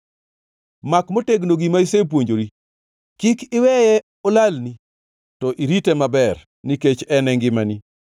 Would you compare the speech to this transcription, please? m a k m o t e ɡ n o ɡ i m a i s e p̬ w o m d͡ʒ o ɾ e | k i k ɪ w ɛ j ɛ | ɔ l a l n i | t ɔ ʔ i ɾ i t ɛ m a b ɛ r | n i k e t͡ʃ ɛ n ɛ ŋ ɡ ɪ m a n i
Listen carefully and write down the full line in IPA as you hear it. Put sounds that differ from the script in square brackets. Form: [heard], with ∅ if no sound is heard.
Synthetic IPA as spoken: m a k m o t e ɡ n o ɡ i m a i s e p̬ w o [ɲ] d͡ʒ o ɾ [i] | k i k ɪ w ɛ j ɛ | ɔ l a l n i | t ɔ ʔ i ɾ i t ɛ m a b ɛ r | n i k e t͡ʃ ɛ n ɛ ŋ ɡ ɪ m a n i